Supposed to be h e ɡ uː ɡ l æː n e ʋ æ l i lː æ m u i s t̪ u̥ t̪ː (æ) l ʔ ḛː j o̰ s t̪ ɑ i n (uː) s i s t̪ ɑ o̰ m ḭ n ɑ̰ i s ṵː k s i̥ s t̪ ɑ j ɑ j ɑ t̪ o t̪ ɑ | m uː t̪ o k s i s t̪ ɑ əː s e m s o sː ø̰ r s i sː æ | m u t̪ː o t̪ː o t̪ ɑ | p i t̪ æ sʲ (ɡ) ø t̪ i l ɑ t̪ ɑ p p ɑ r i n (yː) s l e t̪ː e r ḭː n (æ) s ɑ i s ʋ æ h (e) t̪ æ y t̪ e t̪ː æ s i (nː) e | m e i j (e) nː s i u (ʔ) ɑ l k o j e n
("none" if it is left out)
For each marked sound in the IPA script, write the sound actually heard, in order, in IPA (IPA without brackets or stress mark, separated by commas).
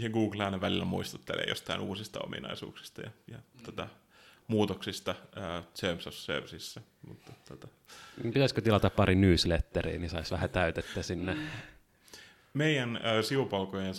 e, uː, k, yː, i, æ, nː, æ, p